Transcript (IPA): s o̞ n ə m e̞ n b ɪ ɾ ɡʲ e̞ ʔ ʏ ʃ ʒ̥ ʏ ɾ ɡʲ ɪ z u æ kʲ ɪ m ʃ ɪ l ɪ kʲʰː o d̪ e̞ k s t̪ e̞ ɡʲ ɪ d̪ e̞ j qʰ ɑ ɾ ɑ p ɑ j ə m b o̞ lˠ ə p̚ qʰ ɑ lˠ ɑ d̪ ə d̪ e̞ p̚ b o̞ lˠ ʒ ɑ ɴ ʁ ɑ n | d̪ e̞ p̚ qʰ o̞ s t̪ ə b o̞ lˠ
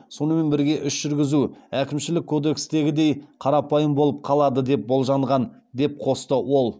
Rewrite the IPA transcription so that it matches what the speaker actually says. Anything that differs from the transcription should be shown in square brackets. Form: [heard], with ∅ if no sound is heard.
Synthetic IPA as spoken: s o̞ n ə m e̞ n b ɪ ɾ ɡʲ e̞ ʔ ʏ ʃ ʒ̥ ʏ ɾ ɡʲ ɪ z u æ kʲ ɪ m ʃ ɪ l ɪ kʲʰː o d̪ e̞ k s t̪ e̞ ɡʲ ɪ d̪ e̞ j qʰ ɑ ɾ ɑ p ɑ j ə m b o̞ lˠ ə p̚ qʰ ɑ lˠ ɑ d̪ ə d̪ e̞ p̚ b o̞ lˠ ʒ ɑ ɴ ʁ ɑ n | d̪ e̞ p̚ qʰ o̞ s t̪ ə [w] o̞ lˠ